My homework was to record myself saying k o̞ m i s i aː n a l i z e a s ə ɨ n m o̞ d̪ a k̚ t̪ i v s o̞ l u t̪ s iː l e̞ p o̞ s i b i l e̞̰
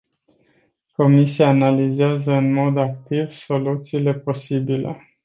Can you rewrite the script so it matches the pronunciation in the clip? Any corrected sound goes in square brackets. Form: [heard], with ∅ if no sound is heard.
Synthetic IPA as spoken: k o̞ m i s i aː n a l i z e a [z] ə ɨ n m o̞ d̪ a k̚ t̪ i v s o̞ l u t̪ s iː l e̞ p o̞ s i b i l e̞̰